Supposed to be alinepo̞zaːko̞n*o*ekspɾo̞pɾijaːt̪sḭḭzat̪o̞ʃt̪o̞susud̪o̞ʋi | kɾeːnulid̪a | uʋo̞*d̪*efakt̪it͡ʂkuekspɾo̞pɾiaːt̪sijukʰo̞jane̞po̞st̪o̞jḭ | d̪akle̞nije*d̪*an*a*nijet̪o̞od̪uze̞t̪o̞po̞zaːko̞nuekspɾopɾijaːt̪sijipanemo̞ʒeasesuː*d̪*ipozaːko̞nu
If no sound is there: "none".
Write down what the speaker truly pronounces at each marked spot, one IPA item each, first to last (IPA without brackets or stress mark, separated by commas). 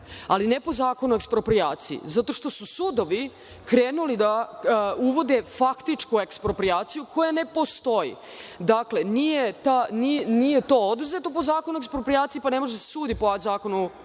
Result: u, d̪, t̪, i, d̪